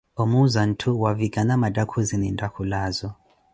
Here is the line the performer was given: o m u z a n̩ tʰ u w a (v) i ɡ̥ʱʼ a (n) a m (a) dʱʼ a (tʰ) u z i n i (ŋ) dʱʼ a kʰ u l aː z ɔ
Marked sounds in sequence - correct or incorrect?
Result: correct, correct, correct, incorrect: kʰ, incorrect: n

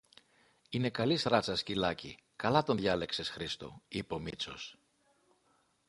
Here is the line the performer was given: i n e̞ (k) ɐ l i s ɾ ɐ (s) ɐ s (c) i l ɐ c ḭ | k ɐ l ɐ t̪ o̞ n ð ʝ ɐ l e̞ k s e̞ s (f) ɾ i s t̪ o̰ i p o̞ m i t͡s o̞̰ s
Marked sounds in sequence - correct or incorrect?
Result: correct, incorrect: t͡s, correct, incorrect: x

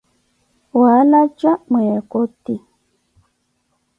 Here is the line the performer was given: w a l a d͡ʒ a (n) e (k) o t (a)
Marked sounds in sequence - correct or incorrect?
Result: incorrect: m, correct, incorrect: i

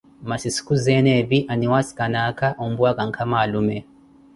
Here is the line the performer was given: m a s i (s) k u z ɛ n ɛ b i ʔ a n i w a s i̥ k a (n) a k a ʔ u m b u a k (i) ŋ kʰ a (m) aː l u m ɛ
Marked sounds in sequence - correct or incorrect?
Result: correct, correct, incorrect: a, correct

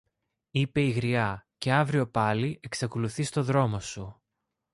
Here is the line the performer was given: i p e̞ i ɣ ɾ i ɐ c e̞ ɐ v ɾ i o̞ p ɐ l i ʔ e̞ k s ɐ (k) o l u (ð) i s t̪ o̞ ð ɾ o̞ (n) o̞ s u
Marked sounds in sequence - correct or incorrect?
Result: correct, incorrect: θ, incorrect: m

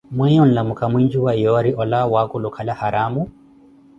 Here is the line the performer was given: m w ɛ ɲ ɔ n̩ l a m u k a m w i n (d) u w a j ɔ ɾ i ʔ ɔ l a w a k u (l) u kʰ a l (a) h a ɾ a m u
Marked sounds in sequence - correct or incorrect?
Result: incorrect: d͡ʒ, correct, correct

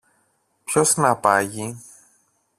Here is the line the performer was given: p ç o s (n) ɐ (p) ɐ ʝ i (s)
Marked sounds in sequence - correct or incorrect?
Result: correct, correct, incorrect: none

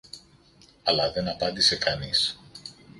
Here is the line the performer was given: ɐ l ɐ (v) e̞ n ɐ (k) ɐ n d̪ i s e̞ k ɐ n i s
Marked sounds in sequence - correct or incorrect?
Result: incorrect: ð, incorrect: p

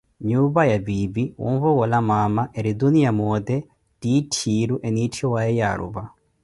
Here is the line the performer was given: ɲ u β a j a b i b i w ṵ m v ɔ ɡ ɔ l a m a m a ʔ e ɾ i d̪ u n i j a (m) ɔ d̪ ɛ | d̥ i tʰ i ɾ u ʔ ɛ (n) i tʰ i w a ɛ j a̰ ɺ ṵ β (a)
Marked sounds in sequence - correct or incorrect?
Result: correct, correct, correct

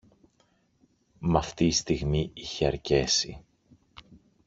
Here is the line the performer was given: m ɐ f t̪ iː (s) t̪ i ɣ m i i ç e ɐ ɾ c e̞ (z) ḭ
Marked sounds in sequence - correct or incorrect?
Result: correct, incorrect: s

